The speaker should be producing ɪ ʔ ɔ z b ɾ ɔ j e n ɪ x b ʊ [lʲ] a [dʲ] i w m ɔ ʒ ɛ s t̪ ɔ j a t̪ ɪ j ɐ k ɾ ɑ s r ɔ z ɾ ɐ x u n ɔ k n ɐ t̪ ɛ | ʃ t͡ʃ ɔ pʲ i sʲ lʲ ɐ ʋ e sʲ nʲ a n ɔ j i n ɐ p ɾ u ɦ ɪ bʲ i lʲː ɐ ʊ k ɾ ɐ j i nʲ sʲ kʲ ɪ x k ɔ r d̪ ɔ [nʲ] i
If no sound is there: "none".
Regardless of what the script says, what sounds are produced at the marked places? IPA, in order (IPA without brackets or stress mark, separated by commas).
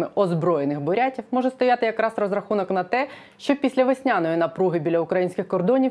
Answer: ɾʲ, tʲ, nʲ